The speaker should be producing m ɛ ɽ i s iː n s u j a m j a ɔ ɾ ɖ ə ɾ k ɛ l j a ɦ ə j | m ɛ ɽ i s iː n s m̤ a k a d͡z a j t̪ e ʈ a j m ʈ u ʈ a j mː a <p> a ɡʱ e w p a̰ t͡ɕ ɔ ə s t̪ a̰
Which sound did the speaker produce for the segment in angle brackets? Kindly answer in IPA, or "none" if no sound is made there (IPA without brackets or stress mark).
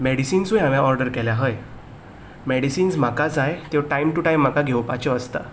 k